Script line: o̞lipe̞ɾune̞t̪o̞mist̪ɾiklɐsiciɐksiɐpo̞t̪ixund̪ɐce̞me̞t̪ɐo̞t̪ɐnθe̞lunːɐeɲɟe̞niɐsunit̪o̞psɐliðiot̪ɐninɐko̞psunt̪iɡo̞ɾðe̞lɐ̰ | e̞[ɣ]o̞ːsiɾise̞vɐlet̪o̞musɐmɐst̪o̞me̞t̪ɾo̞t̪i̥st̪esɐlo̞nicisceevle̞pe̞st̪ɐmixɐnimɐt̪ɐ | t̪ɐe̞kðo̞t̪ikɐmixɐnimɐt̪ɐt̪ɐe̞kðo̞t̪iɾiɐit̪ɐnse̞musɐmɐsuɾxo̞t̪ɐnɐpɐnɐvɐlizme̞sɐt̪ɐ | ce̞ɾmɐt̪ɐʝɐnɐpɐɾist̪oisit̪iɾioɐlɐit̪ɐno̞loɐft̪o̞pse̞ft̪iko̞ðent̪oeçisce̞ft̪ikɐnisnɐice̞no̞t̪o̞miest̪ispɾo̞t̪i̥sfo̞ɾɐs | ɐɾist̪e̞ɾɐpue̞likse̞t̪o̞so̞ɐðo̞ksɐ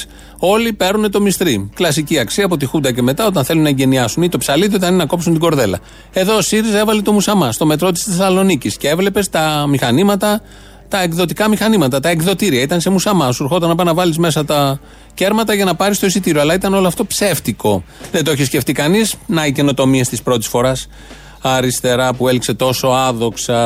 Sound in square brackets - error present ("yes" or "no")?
yes